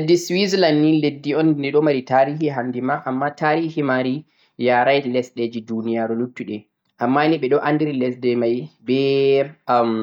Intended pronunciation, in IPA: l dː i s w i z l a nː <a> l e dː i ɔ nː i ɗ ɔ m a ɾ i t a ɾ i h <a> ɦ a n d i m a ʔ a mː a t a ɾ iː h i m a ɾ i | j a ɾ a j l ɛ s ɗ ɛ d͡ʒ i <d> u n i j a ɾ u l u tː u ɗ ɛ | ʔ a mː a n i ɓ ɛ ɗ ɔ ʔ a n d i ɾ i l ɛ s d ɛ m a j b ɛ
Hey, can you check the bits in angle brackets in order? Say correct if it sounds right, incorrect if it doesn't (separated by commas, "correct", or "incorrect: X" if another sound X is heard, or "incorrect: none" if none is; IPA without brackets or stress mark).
incorrect: i, incorrect: i, correct